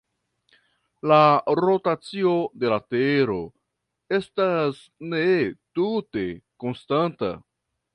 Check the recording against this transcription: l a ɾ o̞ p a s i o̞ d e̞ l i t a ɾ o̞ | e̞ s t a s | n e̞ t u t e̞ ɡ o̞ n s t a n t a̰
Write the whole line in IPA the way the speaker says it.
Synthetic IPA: l a ɾ o̞ t a t͡s i o̞ d e̞ l a t e ɾ o̞ | e̞ s t a s | n e̞ t u t e̞ k o̞ n s t a n t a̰